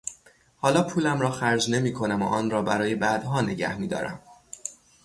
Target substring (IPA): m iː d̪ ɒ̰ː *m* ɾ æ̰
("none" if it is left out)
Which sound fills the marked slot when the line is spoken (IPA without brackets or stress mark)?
none